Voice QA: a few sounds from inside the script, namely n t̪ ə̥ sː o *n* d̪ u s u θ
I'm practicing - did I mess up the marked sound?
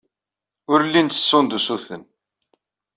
no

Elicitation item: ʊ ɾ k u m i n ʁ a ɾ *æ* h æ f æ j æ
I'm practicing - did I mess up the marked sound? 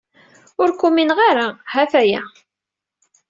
yes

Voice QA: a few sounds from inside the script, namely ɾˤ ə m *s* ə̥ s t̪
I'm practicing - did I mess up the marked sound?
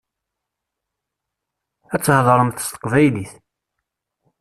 yes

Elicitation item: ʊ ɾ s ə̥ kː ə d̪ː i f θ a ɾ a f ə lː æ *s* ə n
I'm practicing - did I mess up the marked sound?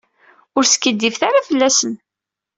no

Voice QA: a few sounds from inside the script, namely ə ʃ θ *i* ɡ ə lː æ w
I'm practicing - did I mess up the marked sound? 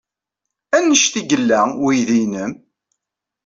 no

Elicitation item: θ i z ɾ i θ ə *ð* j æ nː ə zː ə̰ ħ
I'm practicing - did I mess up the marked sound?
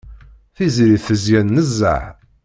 yes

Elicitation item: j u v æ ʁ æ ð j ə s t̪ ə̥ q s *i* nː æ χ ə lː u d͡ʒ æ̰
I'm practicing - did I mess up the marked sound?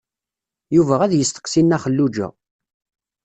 no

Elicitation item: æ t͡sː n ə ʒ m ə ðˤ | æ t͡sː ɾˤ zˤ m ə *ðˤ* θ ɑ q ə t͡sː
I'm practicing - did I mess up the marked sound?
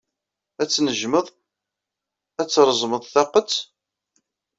no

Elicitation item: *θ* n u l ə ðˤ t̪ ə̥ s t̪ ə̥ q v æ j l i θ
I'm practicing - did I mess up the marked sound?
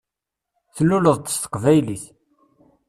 no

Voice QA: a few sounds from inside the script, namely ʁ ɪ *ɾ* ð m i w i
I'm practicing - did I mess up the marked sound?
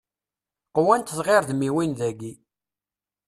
no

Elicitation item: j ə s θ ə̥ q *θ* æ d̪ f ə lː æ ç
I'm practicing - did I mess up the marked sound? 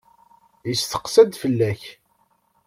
yes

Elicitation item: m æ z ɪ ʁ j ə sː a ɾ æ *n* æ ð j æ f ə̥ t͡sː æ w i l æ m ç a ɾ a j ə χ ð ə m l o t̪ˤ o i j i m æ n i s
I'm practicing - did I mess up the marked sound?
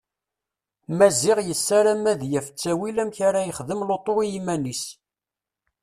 yes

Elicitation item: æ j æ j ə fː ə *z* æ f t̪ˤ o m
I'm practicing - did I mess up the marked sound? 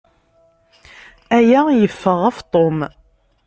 yes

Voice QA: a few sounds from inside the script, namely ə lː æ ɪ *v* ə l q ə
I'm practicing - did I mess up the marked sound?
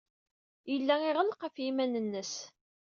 yes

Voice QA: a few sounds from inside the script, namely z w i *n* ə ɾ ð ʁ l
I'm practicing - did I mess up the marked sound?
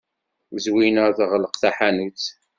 no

